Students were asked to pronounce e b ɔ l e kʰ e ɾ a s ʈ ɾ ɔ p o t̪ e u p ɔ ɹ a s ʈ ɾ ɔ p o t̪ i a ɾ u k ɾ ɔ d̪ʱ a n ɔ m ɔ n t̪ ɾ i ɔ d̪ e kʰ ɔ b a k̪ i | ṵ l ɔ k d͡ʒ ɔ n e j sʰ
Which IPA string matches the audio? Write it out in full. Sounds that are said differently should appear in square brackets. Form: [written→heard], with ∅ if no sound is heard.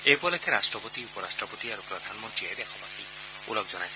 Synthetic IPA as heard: e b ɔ l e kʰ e ɾ a s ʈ ɾ ɔ p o t̪ [e→i] u p ɔ [ɹ→ɾ] a s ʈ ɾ ɔ p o t̪ i a ɾ u [k→p] ɾ ɔ d̪ʱ a n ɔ m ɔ n t̪ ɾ i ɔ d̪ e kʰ ɔ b a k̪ i | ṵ l ɔ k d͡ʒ ɔ n [e→a] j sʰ